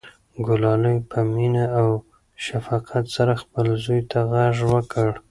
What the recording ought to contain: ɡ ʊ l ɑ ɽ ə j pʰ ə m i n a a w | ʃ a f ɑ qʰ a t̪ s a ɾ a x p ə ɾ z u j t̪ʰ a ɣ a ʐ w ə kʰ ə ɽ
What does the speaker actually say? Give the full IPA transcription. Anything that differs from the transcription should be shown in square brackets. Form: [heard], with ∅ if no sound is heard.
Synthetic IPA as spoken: ɡ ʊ l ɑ [l] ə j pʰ ə m i n a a w | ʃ a f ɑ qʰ a t̪ s a ɾ a x p ə [l] z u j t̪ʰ a ɣ a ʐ w ə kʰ ə ɽ